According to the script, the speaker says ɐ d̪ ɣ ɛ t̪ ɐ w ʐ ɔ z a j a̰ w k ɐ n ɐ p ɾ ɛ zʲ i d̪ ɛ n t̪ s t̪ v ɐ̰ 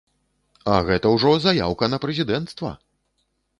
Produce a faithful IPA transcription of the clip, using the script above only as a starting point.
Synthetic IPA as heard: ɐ ɣ ɛ t̪ ɐ w ʐ ɔ z a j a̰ w k ɐ n ɐ p ɾ ɛ zʲ i d̪ ɛ n t̪ s t̪ v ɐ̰